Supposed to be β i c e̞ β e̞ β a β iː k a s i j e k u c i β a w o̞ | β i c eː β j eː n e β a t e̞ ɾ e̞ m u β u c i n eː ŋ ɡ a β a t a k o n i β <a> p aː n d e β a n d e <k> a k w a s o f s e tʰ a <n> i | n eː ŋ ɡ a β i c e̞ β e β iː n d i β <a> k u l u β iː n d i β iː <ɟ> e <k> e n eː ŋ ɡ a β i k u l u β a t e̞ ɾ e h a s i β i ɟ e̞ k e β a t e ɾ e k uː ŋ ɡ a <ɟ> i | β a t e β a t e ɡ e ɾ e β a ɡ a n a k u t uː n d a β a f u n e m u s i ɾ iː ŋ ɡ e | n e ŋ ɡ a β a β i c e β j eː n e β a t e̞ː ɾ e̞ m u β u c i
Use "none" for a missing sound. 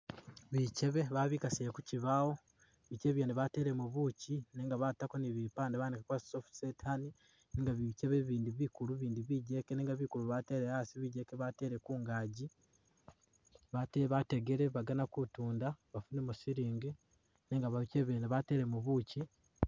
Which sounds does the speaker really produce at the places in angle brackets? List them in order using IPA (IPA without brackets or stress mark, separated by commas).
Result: i, k, n, i, ɟ, k, ɟ